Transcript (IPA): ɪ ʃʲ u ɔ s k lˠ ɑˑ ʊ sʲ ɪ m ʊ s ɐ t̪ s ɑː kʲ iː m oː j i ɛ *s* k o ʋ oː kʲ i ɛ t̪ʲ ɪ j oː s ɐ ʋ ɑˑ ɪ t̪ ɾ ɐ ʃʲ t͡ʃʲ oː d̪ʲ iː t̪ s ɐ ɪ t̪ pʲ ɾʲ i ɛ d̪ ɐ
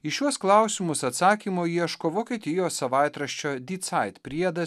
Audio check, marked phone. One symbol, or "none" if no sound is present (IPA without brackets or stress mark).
ʃ